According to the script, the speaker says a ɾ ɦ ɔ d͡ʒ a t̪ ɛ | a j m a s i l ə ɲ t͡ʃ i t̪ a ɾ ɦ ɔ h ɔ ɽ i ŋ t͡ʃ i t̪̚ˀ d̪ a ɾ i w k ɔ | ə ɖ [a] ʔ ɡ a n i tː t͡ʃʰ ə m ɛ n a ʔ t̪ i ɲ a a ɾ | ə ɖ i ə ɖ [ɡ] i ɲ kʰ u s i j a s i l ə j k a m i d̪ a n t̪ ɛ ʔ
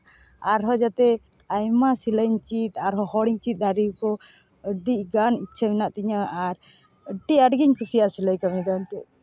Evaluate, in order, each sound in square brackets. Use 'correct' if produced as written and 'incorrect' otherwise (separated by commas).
incorrect, correct